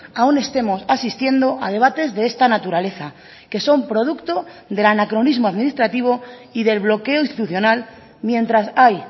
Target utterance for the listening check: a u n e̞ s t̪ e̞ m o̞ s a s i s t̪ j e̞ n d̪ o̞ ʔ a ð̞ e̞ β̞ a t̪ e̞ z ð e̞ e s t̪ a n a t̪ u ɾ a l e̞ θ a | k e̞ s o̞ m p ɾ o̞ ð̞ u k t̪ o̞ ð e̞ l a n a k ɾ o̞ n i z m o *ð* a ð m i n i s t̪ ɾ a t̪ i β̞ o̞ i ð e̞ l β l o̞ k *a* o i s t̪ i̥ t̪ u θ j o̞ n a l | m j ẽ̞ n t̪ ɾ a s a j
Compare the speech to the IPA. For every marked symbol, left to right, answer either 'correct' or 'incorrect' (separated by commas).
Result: incorrect, incorrect